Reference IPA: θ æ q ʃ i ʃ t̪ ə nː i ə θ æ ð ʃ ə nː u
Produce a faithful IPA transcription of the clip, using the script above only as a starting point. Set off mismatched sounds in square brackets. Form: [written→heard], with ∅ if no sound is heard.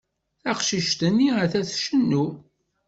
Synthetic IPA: θ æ q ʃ i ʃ t̪ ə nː i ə θ æ [ð→θ] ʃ ə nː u

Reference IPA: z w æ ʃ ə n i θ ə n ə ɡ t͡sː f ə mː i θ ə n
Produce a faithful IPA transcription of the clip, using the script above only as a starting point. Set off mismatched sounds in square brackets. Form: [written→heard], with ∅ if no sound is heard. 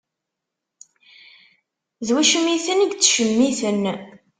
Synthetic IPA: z w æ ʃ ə [n→m] i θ ə n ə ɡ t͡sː [f→ʃ] ə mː i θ ə n

